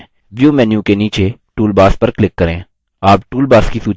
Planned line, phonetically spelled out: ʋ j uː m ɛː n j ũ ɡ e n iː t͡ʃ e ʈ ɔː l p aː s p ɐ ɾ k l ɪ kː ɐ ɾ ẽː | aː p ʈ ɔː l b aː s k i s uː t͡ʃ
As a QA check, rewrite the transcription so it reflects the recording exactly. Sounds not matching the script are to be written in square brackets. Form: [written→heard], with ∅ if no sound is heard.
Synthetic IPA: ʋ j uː m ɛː n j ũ [ɡ→k] e n iː t͡ʃ e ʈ [ɔː→uː] l [p→b] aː s p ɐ ɾ k l ɪ kː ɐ ɾ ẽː | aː p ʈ [ɔː→uː] l b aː s k i s uː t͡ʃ

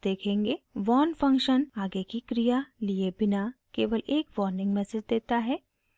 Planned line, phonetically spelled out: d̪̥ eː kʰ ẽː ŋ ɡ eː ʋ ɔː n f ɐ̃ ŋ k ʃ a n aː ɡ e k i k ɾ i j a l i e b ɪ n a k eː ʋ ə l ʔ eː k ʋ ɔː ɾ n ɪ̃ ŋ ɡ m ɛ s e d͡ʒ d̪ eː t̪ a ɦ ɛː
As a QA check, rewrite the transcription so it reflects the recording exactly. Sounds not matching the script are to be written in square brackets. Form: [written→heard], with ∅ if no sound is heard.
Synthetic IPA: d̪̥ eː kʰ ẽː ŋ ɡ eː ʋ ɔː n f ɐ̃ ŋ k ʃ [a→ə] n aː ɡ e k i k ɾ i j a l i e b ɪ n a k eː ʋ ə l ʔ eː k ʋ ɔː ɾ n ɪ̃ ŋ ɡ m ɛ s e d͡ʒ d̪ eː t̪ a ɦ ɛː

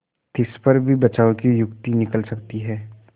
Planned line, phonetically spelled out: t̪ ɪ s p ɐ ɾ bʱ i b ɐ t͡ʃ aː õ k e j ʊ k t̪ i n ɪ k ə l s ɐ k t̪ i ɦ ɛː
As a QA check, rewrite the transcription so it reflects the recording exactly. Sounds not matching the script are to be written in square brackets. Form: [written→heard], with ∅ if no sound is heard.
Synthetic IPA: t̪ ɪ s p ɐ ɾ bʱ i b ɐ t͡ʃ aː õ k [e→i] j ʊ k t̪ i n ɪ k ə l s ɐ k t̪ i ɦ ɛː

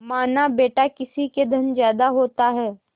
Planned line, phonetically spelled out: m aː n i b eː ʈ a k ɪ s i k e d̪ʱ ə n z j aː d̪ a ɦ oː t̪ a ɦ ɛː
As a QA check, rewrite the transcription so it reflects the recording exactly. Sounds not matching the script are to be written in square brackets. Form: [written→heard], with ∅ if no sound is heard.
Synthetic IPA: m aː n [i→a] b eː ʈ a k ɪ s i k e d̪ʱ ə n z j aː d̪ a ɦ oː t̪ a ɦ ɛː

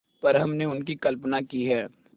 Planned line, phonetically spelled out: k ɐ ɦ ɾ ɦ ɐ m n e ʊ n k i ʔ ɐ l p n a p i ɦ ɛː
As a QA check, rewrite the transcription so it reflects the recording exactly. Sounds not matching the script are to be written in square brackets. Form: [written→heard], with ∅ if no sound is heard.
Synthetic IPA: [k→p] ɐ [ɦ→∅] ɾ ɦ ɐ m n e ʊ n k i [ʔ→k] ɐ l p n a [p→k] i ɦ ɛː

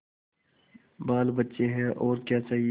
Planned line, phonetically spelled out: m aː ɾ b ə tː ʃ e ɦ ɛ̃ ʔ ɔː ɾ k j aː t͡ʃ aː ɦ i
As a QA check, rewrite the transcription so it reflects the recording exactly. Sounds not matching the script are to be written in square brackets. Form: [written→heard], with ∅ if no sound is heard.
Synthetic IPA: [m→b] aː [ɾ→l] b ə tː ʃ e ɦ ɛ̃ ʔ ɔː ɾ k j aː t͡ʃ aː ɦ i

